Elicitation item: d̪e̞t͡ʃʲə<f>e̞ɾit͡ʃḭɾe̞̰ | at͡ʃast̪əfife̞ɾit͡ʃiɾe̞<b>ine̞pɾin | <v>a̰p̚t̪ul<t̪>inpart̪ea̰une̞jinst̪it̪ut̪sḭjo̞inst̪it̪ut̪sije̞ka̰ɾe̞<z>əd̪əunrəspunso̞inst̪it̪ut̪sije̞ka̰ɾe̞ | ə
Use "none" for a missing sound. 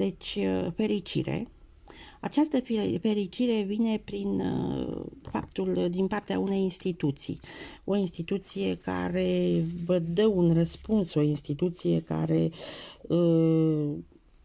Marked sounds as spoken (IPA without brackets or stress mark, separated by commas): f, v, f, d̪, v